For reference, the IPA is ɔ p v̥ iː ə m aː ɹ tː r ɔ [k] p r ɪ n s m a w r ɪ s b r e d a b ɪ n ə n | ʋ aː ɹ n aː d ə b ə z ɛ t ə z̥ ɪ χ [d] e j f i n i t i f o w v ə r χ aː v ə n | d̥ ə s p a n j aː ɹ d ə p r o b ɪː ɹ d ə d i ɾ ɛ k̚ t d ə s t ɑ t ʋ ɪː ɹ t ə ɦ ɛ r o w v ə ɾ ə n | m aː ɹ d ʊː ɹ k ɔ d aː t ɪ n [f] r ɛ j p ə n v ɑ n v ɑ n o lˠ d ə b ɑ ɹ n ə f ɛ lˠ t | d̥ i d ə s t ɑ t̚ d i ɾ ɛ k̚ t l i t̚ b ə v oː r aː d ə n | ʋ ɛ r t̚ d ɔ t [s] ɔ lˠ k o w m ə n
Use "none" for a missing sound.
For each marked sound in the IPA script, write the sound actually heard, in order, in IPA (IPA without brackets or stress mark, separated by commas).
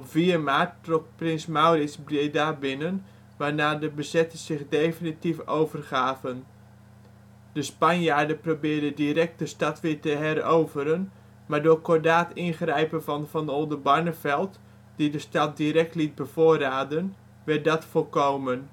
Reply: k, d, χ, f